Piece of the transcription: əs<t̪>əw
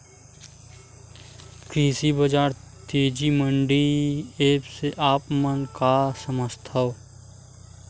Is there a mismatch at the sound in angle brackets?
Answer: yes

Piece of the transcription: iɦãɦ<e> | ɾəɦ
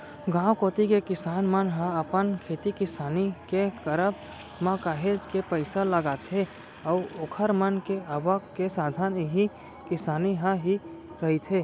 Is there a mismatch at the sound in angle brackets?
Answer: yes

